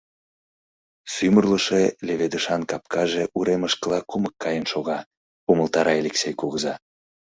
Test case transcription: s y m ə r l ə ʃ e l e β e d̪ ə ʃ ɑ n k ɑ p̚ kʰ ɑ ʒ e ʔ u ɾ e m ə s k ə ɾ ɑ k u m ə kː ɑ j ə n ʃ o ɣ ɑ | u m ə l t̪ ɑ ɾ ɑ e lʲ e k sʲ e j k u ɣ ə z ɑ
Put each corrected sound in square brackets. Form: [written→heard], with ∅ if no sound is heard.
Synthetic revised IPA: s y m ə r l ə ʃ e l e β e d̪ ə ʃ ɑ n k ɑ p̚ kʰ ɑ ʒ e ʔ u ɾ e m ə [s→ʃ] k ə [ɾ→l] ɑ k u m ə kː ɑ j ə n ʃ o ɣ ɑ | u m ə l t̪ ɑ ɾ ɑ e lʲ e k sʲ e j k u ɣ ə z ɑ